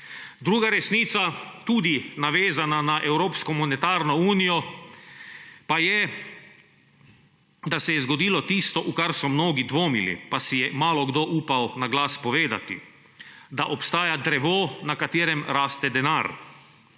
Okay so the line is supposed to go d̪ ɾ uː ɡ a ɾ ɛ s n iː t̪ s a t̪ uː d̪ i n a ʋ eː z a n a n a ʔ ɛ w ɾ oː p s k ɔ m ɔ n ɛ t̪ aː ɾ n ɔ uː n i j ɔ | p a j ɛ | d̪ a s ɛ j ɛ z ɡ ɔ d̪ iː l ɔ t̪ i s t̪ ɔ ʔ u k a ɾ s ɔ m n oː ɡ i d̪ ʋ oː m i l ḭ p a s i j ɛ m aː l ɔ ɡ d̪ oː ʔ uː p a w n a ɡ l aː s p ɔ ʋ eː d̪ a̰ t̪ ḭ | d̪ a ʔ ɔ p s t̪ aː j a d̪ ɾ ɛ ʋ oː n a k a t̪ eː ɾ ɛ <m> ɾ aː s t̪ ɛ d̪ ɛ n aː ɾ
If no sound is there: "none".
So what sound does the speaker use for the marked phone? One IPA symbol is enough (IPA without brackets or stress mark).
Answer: m